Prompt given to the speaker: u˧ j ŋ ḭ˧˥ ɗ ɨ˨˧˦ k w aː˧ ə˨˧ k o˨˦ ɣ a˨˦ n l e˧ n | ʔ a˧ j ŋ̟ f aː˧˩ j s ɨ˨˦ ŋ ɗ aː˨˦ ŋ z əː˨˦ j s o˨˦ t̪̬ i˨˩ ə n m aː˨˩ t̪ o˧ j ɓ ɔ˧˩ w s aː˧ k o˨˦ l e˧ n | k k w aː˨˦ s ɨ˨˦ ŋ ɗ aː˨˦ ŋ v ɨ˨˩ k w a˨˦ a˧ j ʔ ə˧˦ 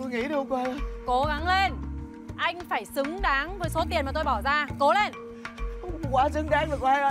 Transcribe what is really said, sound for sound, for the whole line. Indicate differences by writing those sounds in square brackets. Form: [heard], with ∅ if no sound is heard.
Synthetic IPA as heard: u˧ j ŋ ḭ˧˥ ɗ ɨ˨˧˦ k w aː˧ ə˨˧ k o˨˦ ɣ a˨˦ [ŋ] l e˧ n | ʔ a˧ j ŋ̟ f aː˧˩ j s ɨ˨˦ ŋ ɗ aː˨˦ ŋ [v] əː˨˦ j s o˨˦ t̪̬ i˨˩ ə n m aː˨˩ t̪ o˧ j ɓ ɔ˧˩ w [z] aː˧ k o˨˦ l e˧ n | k k w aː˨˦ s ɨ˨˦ ŋ ɗ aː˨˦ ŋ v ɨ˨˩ k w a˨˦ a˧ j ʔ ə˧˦